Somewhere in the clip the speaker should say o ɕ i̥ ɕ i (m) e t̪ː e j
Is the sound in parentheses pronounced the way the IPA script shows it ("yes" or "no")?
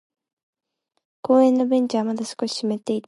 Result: yes